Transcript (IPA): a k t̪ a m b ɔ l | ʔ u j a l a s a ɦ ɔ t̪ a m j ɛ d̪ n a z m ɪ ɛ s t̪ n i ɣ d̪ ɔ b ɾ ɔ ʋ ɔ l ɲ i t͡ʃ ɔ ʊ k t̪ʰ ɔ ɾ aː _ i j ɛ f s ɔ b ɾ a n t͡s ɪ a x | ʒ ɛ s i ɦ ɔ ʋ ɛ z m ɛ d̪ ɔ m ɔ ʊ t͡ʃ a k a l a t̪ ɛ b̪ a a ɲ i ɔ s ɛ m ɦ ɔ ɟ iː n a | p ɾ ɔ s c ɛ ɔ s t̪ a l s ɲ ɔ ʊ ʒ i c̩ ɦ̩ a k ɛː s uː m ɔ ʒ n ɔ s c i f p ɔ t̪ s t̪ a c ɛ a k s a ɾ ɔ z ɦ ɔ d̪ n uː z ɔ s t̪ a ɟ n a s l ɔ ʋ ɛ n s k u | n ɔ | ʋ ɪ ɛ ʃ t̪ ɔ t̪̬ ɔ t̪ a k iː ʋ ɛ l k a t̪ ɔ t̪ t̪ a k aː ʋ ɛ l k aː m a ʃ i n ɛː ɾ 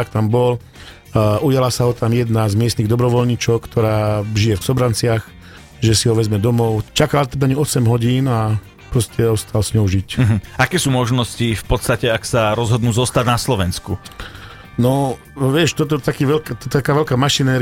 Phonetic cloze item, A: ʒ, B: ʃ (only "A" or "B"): A